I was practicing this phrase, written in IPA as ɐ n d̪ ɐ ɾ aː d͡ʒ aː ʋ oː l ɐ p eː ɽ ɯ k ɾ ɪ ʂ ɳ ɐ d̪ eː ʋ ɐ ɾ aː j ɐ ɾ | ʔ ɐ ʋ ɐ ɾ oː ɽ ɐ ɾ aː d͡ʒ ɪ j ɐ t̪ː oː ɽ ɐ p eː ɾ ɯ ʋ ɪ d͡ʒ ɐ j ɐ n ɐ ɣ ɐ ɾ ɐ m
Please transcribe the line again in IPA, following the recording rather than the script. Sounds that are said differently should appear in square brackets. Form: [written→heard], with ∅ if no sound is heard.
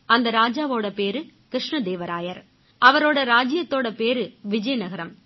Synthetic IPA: ɐ n d̪ ɐ ɾ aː d͡ʒ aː ʋ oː [l→ɽ] ɐ p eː [ɽ→ɾ] ɯ k ɾ ɪ ʂ ɳ ɐ d̪ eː ʋ ɐ ɾ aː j ɐ ɾ | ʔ ɐ ʋ ɐ ɾ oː ɽ ɐ ɾ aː d͡ʒ ɪ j ɐ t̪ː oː ɽ ɐ p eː ɾ ɯ ʋ ɪ d͡ʒ ɐ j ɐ n ɐ ɣ ɐ ɾ ɐ m